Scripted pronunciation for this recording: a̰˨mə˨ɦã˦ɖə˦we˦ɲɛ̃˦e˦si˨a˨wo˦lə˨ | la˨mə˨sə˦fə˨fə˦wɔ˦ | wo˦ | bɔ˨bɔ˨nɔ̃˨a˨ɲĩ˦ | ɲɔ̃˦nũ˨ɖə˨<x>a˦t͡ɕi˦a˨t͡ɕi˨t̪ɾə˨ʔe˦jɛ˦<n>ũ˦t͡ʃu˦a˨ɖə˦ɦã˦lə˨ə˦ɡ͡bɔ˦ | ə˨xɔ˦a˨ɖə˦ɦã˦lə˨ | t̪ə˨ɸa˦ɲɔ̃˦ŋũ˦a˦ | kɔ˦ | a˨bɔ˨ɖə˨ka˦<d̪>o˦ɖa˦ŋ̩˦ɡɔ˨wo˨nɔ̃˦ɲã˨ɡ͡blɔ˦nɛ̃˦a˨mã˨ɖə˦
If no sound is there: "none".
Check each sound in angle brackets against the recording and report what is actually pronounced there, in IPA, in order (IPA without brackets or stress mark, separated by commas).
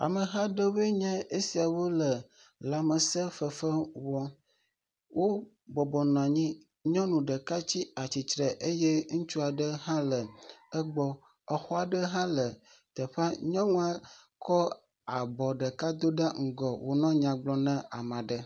k, ŋ, d̪